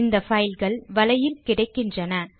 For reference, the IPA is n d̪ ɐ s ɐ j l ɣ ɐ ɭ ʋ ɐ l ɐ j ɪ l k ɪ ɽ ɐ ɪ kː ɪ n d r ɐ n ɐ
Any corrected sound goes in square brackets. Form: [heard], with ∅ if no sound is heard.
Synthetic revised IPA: n d̪ ɐ [f] ɐ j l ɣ ɐ ɭ ʋ ɐ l ɐ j ɪ l k ɪ ɽ ɐ ɪ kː ɪ n d r ɐ n ɐ